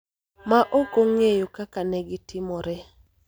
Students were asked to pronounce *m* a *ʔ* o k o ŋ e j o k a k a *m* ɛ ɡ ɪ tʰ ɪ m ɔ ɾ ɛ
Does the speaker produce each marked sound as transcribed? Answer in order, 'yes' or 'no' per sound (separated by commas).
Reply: yes, yes, no